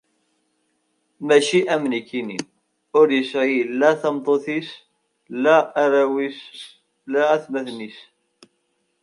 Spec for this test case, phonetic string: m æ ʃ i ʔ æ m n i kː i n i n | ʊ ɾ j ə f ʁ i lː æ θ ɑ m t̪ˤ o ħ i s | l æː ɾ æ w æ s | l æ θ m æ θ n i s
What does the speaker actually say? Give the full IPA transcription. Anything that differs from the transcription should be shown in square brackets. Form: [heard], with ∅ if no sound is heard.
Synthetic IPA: m æ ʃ i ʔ æ m n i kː i n i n | ʊ ɾ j ə [s] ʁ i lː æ θ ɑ m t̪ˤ o [θ] i s | l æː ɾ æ w [i] s | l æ θ m æ θ n i s